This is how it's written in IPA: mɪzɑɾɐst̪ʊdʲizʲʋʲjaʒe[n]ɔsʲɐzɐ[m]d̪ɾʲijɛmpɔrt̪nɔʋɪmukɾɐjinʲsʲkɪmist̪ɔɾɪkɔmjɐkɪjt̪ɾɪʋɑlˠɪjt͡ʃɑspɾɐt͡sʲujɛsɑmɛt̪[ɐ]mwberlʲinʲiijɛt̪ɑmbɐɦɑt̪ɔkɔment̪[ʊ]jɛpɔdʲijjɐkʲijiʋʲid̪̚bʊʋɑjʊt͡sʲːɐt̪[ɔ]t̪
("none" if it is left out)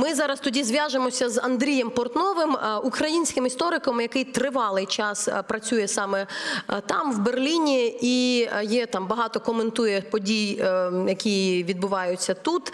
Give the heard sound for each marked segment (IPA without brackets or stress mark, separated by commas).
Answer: m, n, ɑ, u, u